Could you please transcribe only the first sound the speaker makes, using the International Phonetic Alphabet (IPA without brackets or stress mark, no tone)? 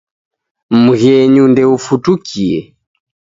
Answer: m